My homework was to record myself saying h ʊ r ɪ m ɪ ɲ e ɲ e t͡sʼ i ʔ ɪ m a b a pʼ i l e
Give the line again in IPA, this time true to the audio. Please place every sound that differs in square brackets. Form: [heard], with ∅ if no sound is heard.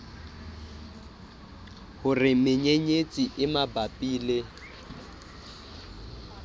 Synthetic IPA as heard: h ʊ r ɪ m ɪ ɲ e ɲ e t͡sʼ i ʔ ɪ m a b a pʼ [iː] l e